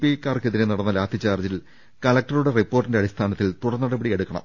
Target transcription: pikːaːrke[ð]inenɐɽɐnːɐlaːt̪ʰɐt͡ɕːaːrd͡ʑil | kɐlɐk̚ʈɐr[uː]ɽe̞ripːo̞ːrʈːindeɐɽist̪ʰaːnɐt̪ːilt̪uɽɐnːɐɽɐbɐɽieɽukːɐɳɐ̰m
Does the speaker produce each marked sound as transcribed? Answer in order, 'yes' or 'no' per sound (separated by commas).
yes, no